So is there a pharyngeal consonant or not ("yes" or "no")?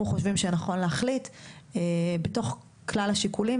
no